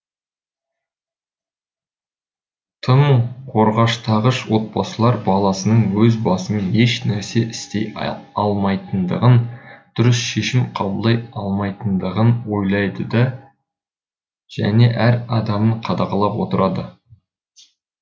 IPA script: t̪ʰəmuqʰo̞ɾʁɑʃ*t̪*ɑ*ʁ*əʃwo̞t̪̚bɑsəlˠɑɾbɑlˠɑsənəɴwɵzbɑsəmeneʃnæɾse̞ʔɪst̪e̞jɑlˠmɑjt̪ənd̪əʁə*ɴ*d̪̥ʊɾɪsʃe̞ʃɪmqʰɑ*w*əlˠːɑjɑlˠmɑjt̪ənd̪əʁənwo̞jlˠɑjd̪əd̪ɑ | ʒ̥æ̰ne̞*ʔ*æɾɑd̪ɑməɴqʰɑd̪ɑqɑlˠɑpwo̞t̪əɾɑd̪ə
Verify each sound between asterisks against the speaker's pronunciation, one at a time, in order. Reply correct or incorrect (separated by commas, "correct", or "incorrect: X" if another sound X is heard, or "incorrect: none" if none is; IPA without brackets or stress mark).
incorrect: t̪ʰ, correct, incorrect: n, incorrect: b, correct